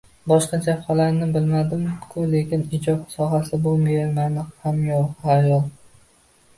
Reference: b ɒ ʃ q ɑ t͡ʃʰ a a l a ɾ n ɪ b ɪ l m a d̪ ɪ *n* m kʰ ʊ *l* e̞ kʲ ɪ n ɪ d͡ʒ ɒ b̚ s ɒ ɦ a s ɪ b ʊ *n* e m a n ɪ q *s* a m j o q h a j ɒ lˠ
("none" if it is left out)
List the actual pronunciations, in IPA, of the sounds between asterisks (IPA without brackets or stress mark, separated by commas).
none, l, m, h